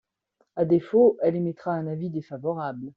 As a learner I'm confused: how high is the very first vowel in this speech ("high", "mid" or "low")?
low